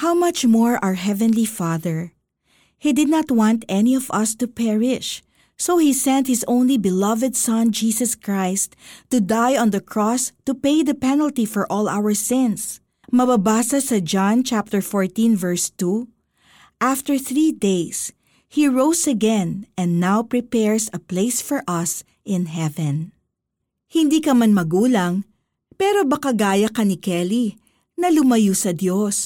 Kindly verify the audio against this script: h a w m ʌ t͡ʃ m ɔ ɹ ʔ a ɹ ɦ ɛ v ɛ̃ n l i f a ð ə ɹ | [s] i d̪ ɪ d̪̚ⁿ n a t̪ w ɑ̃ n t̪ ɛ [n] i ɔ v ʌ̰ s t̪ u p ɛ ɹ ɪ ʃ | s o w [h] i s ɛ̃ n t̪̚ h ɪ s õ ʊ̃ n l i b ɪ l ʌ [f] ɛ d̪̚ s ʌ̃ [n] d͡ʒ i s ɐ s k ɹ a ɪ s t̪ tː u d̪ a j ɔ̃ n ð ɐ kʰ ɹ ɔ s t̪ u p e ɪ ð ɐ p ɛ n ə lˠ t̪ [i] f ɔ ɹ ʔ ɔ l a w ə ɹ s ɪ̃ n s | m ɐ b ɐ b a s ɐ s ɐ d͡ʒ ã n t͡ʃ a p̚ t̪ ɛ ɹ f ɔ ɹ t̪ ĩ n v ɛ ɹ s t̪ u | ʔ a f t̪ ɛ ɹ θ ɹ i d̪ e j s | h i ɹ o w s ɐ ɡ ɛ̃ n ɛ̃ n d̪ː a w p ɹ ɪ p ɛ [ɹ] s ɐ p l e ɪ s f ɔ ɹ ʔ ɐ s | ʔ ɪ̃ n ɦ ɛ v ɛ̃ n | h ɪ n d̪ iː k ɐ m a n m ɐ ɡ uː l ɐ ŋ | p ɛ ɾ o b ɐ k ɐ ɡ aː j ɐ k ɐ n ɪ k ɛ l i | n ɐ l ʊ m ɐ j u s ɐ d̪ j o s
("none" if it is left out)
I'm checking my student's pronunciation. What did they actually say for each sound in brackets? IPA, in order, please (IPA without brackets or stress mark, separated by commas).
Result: h, n, h, v, n, i, ɹ